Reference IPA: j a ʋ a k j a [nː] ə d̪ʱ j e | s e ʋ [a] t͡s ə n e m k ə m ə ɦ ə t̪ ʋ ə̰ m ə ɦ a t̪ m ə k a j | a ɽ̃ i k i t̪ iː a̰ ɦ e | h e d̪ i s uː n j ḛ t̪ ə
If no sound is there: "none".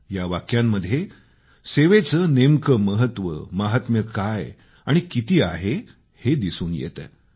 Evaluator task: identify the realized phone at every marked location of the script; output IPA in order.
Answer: mː, e

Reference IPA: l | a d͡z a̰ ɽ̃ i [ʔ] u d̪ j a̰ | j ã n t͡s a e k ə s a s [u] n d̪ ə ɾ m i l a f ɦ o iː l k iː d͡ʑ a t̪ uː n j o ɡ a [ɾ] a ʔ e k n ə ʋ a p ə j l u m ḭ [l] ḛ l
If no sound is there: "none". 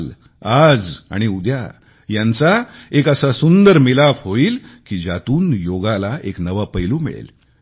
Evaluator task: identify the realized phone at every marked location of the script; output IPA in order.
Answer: none, u, l, ɭ

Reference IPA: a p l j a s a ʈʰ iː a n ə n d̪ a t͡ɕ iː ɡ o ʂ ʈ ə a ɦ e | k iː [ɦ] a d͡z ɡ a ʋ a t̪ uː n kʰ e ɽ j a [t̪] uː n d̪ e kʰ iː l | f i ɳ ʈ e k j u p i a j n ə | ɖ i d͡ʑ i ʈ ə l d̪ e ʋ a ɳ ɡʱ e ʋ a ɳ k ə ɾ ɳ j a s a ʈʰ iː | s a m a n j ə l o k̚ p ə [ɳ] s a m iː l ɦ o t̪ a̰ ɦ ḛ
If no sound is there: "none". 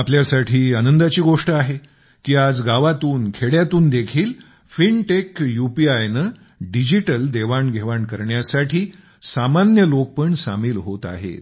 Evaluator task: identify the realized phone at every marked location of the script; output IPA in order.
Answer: none, t̪, ɳ

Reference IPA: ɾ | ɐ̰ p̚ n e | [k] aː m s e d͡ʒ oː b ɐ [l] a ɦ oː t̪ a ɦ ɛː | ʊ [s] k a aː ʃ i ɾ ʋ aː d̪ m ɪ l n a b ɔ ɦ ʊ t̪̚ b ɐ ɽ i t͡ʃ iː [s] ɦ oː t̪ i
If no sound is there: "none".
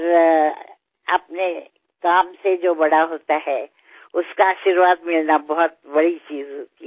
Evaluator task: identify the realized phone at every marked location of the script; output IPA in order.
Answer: k, ɽ, s, z

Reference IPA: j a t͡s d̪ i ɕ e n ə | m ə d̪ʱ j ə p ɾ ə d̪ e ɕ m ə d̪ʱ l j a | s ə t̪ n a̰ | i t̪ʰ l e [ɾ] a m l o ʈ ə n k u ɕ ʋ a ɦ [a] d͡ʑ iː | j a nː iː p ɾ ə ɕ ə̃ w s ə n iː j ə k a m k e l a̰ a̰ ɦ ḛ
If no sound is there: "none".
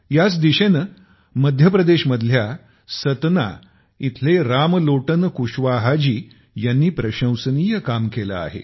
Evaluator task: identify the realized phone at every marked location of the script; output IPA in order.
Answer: ɾ, a

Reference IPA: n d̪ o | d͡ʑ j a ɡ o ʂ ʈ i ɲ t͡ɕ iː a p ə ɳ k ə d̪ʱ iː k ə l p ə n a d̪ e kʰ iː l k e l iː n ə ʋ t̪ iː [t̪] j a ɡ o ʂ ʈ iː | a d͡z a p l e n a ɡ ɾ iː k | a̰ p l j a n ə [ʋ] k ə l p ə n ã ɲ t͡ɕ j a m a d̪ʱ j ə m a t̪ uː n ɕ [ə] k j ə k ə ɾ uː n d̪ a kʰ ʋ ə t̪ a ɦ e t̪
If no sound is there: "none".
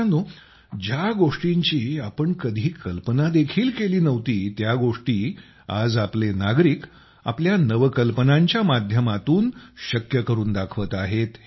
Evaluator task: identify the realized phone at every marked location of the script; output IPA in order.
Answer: t̪, ʋ, ə

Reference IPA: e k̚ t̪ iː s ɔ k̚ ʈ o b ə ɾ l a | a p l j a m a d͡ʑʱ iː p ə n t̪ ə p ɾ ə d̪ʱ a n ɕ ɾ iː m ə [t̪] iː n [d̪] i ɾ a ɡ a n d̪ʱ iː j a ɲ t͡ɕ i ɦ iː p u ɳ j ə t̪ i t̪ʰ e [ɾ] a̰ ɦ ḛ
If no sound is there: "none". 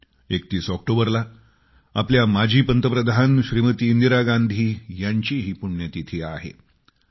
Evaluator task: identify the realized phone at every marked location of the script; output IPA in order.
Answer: t̪, d̪, none

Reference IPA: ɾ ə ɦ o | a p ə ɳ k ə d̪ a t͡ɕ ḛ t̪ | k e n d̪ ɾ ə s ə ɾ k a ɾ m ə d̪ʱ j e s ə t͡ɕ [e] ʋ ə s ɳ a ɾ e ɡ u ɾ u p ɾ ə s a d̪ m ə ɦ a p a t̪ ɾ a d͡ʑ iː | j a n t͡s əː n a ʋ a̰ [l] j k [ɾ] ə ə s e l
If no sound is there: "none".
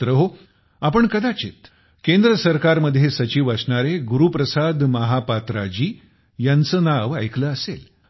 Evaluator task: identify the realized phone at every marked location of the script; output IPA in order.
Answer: i, none, l

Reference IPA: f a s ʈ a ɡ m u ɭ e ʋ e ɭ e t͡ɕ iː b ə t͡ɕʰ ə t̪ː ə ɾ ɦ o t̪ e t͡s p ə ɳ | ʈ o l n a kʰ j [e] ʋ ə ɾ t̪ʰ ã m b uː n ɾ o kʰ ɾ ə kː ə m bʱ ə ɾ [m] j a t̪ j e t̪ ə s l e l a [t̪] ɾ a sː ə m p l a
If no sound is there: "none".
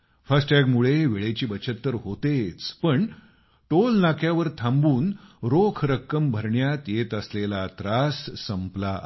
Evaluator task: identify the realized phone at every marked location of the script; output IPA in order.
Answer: a, ɳ, t̪

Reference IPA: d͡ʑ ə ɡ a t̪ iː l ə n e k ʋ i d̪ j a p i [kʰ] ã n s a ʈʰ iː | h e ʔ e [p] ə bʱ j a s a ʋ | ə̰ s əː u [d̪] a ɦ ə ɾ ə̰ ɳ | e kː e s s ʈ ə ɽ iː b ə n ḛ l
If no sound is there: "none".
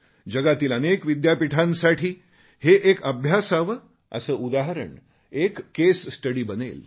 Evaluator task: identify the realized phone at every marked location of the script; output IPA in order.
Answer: ʈʰ, k, d̪

